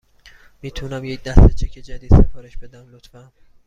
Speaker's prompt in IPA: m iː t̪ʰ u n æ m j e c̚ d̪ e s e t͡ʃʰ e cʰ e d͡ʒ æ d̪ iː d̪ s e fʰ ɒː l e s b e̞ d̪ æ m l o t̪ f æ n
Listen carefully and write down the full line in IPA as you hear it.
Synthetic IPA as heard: m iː t̪ʰ u n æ m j e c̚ d̪ æ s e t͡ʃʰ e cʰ e d͡ʒ æ d̪ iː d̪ s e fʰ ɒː ɾ e ʃ b e̞ d̪ æ m l o t̪ f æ n